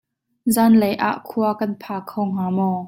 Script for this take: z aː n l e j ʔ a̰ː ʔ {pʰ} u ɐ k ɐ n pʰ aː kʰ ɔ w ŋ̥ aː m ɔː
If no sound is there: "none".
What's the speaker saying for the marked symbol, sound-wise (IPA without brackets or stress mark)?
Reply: kʰ